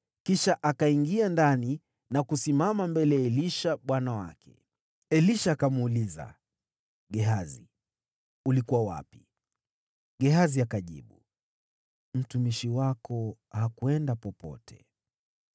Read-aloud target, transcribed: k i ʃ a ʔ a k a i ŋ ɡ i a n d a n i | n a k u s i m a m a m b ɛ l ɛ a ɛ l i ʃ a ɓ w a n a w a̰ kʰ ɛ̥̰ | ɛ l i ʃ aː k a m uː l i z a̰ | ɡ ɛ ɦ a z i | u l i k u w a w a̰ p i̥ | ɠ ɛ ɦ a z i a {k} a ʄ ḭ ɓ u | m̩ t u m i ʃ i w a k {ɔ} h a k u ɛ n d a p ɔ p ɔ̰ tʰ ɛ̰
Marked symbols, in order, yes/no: yes, yes

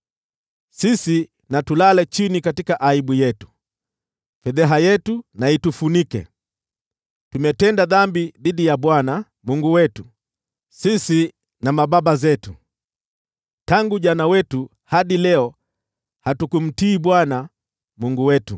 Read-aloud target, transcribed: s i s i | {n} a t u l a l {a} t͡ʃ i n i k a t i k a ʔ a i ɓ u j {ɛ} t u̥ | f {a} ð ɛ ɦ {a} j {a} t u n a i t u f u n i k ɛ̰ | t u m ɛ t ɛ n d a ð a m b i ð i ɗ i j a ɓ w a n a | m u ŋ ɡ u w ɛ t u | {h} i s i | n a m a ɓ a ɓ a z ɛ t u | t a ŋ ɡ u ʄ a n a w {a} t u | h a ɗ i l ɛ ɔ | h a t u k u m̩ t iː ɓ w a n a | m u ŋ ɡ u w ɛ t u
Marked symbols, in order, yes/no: yes, no, yes, no, yes, no, no, no

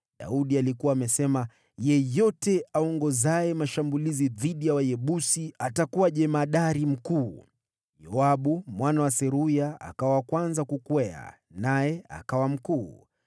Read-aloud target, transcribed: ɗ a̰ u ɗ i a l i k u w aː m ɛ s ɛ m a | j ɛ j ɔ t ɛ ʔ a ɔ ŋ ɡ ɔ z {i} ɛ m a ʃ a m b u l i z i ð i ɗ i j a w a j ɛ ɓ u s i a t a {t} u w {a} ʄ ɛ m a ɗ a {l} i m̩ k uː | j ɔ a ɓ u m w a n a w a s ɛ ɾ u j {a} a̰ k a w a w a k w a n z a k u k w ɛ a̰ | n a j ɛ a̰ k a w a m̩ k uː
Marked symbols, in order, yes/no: no, no, yes, no, yes

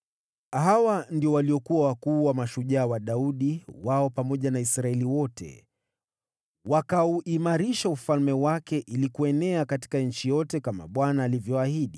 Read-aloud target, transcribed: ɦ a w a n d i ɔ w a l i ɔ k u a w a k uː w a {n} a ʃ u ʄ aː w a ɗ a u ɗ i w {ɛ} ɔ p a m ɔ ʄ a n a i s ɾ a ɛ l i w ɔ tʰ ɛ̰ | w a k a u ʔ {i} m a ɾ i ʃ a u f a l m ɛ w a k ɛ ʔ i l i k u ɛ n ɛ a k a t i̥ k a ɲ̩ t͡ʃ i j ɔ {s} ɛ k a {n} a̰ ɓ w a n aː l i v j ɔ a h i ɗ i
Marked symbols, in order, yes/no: no, no, yes, no, no

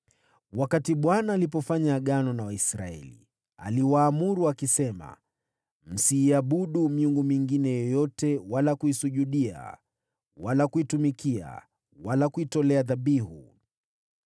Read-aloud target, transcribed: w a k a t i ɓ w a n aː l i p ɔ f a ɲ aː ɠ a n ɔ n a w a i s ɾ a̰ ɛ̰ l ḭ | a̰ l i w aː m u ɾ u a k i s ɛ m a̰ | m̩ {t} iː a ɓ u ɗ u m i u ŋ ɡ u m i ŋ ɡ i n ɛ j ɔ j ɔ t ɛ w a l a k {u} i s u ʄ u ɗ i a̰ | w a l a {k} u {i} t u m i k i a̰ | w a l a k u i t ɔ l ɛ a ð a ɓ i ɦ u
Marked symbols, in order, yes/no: no, yes, yes, yes

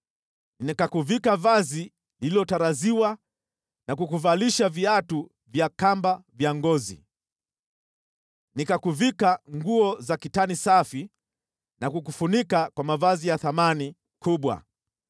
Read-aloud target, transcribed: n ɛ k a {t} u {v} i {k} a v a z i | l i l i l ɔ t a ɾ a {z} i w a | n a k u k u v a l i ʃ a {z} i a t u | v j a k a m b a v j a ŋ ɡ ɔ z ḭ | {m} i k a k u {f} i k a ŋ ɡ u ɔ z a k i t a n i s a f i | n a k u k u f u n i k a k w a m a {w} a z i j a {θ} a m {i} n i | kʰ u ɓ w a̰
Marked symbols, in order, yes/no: no, yes, yes, yes, no, no, no, no, yes, no

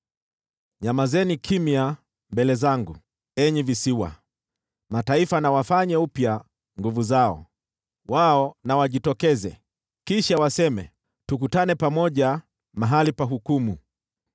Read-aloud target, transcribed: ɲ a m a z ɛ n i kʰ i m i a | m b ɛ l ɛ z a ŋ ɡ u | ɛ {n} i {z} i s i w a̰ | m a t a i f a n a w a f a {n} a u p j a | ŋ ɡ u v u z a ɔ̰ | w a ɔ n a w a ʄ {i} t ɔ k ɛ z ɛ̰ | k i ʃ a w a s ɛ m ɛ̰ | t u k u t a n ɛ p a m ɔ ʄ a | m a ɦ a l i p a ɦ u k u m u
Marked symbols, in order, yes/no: no, no, no, yes

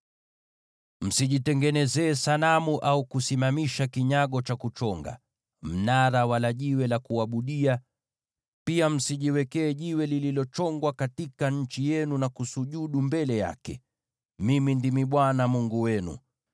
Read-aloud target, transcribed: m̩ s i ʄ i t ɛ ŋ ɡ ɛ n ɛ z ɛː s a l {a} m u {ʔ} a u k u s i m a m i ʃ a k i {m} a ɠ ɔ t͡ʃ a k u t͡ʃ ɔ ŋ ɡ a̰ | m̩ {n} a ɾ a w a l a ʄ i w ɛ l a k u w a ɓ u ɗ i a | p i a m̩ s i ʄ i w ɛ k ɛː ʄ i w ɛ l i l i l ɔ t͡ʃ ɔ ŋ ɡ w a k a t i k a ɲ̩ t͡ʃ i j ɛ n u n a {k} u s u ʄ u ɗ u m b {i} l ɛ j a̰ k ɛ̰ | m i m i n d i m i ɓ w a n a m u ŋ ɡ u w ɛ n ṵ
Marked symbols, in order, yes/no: yes, yes, no, yes, yes, no

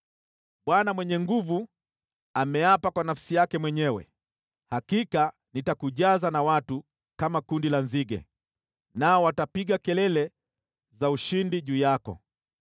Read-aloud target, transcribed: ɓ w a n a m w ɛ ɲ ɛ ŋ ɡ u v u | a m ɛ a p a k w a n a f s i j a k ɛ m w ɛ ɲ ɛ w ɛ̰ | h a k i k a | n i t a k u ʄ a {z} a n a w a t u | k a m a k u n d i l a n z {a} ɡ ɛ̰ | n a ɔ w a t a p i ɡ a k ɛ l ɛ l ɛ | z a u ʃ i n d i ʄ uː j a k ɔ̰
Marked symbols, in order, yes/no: yes, no

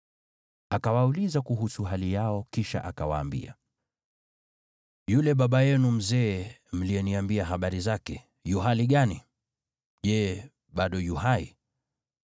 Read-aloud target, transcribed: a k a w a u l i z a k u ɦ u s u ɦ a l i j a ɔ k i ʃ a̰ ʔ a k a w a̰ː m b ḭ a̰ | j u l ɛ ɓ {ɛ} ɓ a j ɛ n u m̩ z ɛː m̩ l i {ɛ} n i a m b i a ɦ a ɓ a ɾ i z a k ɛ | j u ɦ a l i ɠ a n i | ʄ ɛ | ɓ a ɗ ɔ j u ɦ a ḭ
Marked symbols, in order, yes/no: no, yes

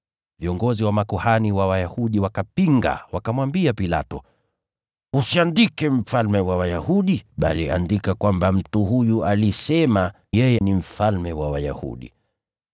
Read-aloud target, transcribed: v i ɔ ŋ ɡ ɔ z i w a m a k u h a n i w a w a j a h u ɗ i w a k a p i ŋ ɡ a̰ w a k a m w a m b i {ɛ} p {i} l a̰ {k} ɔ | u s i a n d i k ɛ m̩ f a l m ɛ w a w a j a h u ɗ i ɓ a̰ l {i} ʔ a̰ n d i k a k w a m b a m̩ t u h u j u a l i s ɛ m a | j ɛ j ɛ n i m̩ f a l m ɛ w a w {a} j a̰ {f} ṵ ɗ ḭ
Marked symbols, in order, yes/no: no, yes, no, yes, yes, no

